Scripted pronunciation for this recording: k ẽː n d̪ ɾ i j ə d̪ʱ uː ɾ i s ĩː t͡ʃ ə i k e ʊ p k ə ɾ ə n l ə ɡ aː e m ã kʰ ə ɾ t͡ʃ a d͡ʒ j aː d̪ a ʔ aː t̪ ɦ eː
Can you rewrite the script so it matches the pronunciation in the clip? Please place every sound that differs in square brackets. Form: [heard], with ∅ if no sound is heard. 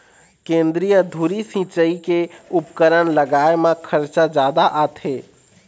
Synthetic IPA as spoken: k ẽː n d̪ ɾ i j ə d̪ʱ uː ɾ i s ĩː t͡ʃ ə i k e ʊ p k ə ɾ ə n l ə ɡ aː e m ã kʰ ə ɾ t͡ʃ a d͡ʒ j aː d̪ a ʔ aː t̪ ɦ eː